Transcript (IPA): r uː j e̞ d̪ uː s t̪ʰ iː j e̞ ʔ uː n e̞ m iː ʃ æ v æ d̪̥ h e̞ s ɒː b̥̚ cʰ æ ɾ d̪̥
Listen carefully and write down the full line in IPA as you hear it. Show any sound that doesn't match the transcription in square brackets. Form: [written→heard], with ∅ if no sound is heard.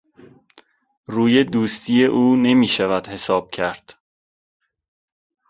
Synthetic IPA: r uː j e̞ d̪ uː s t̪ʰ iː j e̞ ʔ uː n e̞ m iː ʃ æ v æ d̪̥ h e̞ s ɒː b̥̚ cʰ æ ɾ d̪̥